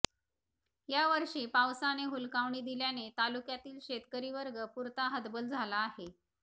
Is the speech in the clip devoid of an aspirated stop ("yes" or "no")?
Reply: yes